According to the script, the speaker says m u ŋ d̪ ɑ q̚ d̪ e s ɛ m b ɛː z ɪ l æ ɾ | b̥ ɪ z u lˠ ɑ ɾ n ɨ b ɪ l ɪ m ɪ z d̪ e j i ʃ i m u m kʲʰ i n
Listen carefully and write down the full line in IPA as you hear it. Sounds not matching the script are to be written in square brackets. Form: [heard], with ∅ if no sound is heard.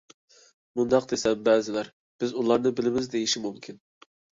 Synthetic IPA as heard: m u [n] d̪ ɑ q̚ d̪ e s ɛ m b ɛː z ɪ l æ ɾ | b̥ ɪ z u lˠ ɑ ɾ n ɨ b ɪ l ɪ m ɪ z d̪ e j i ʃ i m u m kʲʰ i n